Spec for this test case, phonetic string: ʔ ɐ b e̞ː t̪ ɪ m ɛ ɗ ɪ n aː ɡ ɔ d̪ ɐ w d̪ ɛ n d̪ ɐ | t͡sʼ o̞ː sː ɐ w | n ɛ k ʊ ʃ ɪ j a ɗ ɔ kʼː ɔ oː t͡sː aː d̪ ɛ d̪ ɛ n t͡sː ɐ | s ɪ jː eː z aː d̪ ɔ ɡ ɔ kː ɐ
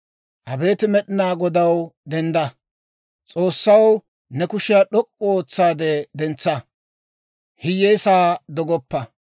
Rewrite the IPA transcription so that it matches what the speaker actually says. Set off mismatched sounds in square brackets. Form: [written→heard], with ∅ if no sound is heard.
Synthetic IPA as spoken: ʔ ɐ b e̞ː t̪ ɪ m ɛ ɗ ɪ n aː ɡ ɔ d̪ ɐ w d̪ ɛ n d̪ ɐ | t͡sʼ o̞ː sː ɐ w | n ɛ k ʊ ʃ ɪ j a ɗ ɔ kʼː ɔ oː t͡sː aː d̪ ɛ d̪ ɛ n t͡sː ɐ | [s→h] ɪ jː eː [z→s] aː d̪ ɔ ɡ ɔ [kː→pː] ɐ